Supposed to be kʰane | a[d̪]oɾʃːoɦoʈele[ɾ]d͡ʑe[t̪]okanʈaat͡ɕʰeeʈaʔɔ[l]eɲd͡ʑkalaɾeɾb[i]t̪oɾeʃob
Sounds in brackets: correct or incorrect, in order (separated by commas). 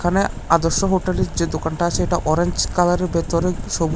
correct, correct, incorrect, incorrect, incorrect